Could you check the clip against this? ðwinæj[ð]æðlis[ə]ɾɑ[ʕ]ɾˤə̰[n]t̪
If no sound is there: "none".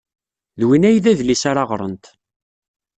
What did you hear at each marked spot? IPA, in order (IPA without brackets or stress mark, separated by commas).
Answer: ð, a, ʁ, n